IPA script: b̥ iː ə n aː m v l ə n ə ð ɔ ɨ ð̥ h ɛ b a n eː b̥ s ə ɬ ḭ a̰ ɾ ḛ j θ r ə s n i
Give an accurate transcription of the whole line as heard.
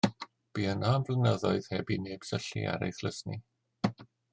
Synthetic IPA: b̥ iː ə n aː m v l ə n ə ð ɔ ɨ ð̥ h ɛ b i n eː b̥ s ə ɬ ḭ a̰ ɾ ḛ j θ l ə s n i